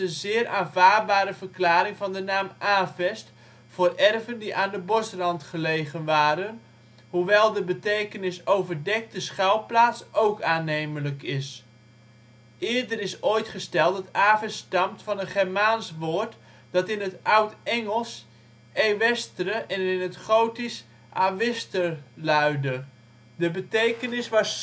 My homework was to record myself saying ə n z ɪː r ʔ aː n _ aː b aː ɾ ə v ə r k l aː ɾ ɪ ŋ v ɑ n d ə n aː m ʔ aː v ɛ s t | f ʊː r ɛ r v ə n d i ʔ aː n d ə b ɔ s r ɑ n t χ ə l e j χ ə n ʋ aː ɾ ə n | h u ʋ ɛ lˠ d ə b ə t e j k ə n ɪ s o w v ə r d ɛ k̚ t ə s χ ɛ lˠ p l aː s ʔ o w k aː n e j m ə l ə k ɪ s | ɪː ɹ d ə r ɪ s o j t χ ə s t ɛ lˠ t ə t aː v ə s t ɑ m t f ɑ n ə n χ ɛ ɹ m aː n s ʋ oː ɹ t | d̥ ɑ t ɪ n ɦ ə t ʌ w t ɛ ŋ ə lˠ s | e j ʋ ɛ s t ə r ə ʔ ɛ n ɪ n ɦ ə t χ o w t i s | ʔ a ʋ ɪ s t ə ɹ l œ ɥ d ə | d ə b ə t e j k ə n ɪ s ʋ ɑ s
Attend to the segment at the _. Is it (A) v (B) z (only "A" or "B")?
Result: A